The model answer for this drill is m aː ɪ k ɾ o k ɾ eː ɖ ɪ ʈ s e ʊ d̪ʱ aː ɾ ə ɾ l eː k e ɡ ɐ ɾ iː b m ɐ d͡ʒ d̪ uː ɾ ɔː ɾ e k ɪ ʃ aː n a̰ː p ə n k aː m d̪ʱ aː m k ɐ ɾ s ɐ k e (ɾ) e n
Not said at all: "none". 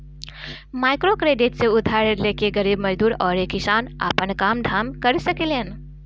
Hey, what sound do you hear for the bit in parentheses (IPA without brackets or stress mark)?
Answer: l